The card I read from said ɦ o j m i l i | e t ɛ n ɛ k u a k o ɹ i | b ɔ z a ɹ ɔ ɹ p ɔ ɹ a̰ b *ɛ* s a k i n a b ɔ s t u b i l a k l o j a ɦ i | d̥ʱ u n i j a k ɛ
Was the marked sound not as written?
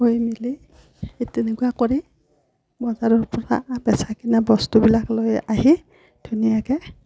no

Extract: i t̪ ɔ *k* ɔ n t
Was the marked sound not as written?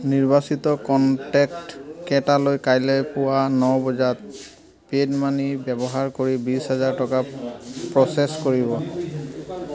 no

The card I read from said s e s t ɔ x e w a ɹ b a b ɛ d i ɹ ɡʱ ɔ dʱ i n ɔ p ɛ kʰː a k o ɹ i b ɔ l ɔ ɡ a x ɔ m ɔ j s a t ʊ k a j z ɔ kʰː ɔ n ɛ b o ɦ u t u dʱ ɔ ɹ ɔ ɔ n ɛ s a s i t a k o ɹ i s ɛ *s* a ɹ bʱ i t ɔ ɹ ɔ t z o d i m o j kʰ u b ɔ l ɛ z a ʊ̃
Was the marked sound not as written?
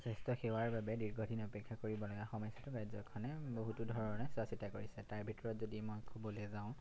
yes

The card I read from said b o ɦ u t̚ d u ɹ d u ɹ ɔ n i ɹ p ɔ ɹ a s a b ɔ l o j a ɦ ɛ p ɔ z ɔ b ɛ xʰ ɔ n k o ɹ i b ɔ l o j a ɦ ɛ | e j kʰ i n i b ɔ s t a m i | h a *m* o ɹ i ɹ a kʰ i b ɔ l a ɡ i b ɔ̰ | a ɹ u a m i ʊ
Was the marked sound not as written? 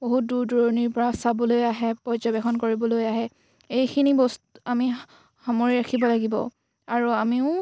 no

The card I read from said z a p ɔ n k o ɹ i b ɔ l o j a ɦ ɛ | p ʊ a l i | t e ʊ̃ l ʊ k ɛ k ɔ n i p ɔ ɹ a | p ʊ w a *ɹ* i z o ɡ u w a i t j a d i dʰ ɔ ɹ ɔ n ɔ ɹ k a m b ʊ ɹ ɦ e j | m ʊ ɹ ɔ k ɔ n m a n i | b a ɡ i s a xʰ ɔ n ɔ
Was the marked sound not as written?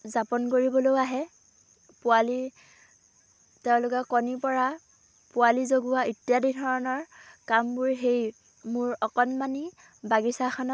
yes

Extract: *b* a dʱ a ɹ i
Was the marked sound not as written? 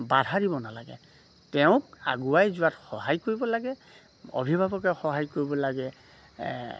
no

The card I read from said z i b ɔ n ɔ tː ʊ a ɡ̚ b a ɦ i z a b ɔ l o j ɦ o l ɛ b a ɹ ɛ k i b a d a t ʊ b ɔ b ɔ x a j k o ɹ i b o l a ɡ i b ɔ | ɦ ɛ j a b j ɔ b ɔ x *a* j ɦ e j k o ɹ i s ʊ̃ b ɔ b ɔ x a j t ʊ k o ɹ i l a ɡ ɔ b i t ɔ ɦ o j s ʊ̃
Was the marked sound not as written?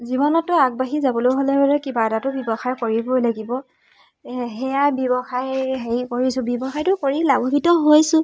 no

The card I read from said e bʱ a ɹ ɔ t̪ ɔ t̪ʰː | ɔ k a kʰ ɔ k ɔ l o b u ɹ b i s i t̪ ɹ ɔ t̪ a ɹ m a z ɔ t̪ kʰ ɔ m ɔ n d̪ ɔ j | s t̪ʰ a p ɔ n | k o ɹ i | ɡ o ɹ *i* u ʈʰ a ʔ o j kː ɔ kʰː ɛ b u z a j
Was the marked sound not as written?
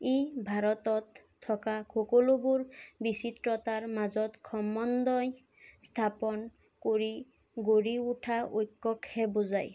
no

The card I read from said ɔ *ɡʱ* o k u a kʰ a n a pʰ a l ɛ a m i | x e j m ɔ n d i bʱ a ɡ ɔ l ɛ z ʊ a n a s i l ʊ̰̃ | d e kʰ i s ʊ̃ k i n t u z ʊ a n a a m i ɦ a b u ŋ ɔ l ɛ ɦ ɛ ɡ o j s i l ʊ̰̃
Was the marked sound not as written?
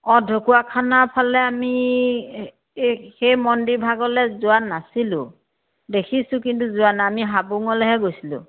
yes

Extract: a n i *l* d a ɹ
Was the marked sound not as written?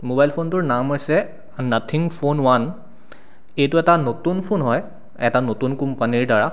yes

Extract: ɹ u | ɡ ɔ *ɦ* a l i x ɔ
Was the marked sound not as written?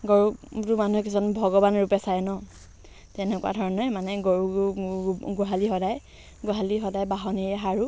no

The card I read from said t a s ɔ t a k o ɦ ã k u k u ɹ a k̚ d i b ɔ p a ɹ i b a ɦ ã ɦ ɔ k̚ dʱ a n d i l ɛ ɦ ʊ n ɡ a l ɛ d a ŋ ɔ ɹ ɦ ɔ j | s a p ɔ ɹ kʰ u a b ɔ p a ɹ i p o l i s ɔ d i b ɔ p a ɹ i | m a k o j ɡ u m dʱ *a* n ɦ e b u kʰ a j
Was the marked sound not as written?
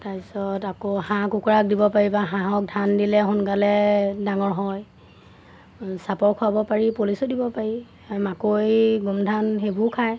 no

